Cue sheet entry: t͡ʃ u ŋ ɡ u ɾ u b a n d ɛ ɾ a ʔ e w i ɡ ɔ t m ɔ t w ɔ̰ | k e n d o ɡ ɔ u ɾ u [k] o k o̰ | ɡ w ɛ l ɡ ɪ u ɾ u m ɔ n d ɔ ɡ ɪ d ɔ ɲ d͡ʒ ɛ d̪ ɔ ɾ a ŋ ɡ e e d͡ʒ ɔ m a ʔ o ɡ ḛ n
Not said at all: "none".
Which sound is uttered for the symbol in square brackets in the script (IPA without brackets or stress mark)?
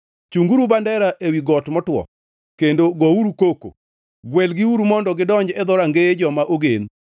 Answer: k